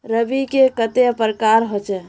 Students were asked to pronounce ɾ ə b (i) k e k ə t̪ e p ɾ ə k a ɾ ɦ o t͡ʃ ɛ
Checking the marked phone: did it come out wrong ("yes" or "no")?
no